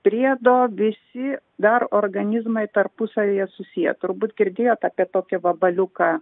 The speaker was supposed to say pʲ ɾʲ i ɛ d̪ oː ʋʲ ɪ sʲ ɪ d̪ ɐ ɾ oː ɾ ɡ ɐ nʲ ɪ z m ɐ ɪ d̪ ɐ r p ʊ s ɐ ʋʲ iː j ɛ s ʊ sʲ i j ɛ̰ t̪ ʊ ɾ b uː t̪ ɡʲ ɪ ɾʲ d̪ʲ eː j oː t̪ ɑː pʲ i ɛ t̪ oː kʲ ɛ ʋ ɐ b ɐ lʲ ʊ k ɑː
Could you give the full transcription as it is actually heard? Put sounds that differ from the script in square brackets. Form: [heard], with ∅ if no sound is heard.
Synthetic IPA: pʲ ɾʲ i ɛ d̪ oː ʋʲ ɪ sʲ ɪ d̪ ɐ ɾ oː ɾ ɡ ɐ nʲ ɪ z m ɐ ɪ [t̪] ɐ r p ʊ s ɐ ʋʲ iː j ɛ s ʊ sʲ i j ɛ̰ t̪ ʊ ɾ b uː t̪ ɡʲ ɪ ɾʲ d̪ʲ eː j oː t̪ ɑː pʲ i ɛ t̪ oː kʲ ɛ ʋ ɐ b ɐ lʲ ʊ k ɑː